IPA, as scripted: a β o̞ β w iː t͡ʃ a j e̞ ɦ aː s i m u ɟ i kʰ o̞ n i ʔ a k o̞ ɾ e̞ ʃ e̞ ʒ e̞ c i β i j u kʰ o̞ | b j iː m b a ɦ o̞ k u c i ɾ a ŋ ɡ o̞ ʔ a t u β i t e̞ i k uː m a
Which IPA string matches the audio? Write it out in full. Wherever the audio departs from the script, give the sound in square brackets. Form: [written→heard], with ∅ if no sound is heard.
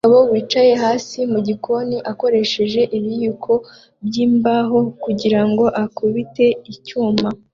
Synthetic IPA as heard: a β o̞ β w iː t͡ʃ a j e̞ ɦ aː s i m u ɟ i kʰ o̞ n i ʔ a k o̞ ɾ e̞ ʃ e̞ ʒ e̞ [c→ʔ] i β i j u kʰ o̞ | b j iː m b a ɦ o̞ k u [c→ɟ] i ɾ a ŋ ɡ o̞ ʔ a [t→k] u β i t e̞ i [k→c] uː m a